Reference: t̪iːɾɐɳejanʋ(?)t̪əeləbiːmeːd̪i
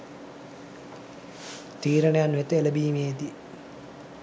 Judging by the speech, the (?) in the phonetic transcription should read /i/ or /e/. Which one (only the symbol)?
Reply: e